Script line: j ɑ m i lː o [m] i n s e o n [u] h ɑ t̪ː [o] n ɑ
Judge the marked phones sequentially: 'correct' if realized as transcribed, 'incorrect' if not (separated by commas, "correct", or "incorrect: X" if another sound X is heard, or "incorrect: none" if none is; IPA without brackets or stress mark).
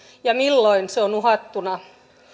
incorrect: none, correct, incorrect: u